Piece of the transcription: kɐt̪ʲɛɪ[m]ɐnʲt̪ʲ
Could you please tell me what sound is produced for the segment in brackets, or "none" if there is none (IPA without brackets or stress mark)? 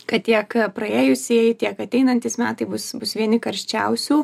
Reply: n